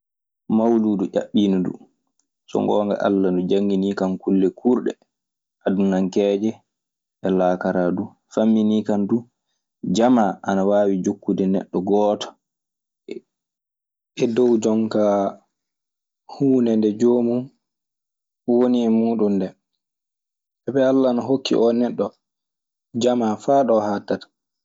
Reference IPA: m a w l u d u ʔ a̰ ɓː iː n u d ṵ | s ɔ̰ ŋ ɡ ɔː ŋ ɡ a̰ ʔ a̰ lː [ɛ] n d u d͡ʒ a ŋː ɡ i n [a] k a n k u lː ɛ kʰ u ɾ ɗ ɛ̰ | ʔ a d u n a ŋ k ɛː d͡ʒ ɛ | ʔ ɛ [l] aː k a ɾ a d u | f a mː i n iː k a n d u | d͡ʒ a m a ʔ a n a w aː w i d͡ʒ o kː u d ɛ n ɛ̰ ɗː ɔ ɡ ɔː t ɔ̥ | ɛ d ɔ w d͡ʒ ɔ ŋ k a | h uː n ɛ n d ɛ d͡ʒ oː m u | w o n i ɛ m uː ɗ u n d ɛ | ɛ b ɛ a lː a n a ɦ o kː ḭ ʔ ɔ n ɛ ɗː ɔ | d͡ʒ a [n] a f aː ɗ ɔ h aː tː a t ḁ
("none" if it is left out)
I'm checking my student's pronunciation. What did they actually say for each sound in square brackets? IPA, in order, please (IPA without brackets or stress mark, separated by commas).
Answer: a, i, l, m